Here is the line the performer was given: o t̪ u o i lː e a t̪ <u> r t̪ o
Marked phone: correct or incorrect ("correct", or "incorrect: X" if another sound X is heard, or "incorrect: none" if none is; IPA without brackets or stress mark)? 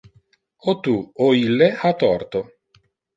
incorrect: ɔ